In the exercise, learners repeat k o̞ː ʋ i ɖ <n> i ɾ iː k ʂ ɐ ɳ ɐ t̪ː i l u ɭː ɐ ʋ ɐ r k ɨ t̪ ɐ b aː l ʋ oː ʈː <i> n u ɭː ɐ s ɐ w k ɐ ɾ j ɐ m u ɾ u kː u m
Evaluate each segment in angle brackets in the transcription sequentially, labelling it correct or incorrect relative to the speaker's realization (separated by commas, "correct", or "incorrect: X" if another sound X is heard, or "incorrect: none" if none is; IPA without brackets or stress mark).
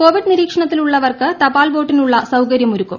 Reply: correct, correct